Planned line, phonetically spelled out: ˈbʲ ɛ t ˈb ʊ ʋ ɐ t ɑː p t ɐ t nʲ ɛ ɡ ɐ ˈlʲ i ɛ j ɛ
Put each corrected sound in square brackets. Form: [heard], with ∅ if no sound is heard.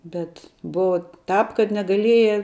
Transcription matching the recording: ˈbʲ ɛ t ˈb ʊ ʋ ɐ t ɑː p [k] ɐ t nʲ ɛ ɡ ɐ ˈlʲ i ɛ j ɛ